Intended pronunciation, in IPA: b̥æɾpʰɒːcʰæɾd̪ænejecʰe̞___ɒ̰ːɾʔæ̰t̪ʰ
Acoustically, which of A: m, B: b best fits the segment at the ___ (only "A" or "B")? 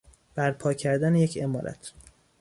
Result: A